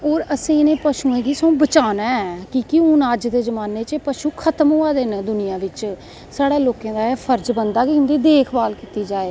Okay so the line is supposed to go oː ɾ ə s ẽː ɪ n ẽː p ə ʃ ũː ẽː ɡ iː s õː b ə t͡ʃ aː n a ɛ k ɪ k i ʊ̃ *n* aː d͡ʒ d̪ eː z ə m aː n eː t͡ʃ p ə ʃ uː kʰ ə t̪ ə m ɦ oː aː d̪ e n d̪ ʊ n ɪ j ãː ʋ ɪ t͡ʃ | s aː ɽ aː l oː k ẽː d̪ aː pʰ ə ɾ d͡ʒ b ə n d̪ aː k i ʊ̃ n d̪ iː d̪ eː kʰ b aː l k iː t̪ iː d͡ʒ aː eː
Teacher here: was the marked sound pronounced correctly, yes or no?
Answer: yes